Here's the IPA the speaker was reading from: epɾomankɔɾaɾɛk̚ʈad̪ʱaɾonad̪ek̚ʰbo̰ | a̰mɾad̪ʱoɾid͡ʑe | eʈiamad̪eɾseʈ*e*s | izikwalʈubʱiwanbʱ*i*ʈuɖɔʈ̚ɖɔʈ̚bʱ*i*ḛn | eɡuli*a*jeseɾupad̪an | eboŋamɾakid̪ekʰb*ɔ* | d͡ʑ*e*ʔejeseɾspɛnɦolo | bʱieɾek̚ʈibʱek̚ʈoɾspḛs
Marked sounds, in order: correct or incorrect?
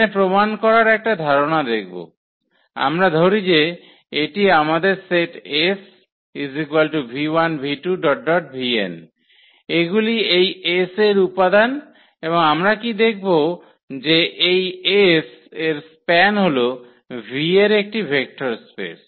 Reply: correct, correct, correct, incorrect, incorrect, correct

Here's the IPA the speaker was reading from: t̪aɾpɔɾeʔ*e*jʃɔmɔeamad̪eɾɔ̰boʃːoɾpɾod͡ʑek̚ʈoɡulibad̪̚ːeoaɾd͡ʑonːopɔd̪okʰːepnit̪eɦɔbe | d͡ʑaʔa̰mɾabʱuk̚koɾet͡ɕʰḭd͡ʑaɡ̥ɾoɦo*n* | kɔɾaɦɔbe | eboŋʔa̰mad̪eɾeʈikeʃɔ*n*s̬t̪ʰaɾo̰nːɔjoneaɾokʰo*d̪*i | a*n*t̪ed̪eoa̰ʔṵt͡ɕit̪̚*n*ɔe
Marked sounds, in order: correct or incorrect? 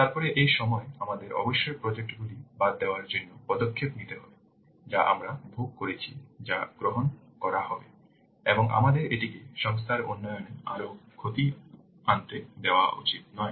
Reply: correct, correct, incorrect, incorrect, correct, correct

